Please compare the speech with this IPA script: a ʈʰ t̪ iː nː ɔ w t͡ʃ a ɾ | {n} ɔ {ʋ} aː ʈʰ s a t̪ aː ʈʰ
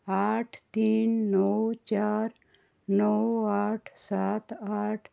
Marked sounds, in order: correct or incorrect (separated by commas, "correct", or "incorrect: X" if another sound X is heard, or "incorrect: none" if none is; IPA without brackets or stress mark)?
correct, incorrect: w